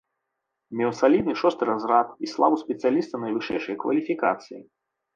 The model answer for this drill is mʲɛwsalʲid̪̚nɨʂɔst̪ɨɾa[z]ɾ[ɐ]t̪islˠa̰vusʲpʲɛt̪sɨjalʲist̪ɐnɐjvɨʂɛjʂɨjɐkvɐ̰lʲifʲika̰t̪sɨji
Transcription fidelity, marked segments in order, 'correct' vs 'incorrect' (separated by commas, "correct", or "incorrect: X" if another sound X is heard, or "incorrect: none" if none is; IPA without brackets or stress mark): correct, incorrect: a